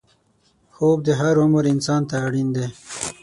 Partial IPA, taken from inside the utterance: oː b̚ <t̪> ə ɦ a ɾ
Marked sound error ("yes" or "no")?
yes